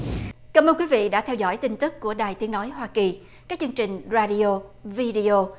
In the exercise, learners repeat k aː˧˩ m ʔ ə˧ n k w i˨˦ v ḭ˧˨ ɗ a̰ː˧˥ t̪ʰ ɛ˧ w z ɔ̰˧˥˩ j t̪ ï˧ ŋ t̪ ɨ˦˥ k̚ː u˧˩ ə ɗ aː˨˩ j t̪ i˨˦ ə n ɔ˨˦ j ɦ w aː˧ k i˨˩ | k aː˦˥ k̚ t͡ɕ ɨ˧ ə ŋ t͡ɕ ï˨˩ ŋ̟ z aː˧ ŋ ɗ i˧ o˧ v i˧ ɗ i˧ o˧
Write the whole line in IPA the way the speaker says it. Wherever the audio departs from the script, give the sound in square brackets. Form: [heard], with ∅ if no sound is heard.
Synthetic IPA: k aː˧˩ m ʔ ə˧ n k w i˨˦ v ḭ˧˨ ɗ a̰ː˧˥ t̪ʰ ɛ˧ w z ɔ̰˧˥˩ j t̪ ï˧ ŋ t̪ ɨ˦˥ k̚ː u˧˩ ə ɗ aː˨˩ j t̪ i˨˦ ə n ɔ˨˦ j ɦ w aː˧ k i˨˩ | k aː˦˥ k̚ t͡ɕ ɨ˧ ə ŋ t͡ɕ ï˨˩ ŋ̟ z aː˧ [∅] ɗ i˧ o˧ v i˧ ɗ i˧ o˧